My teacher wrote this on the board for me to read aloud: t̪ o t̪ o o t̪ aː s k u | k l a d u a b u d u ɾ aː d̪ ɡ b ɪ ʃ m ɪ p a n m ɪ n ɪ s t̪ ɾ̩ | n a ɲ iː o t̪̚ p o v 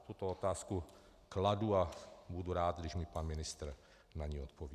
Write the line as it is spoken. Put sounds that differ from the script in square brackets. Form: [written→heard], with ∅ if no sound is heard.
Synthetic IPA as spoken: t̪ [o→u] t̪ o o t̪ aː s k u | k l a d u a b u d u ɾ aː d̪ ɡ [b→d] ɪ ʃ m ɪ p a n m ɪ n ɪ s t̪ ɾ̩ | n a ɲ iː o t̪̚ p o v